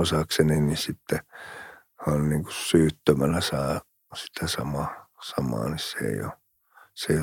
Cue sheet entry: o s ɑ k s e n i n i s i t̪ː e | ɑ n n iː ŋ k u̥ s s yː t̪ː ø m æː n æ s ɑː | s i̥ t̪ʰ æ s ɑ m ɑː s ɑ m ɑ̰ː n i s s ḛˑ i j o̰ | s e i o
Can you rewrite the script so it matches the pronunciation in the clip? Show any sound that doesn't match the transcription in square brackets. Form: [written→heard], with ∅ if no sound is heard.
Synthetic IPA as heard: o s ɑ k s e n i n i s i t̪ː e | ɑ n n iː ŋ k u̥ s s yː t̪ː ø m [æː→æ] n æ s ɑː | s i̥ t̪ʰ æ s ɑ m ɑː s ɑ m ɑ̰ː n i s s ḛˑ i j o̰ | s e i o